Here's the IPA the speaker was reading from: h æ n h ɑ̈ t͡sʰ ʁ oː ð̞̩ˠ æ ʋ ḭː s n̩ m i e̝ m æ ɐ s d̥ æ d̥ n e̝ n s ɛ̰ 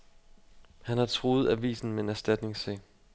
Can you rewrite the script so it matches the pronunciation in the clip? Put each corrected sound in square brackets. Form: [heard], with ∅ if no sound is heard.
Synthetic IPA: h æ n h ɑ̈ t͡sʰ ʁ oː ð̞̩ˠ æ ʋ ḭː s n̩ m [e] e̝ [n] æ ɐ s d̥ æ d̥ n e̝ [ŋ] s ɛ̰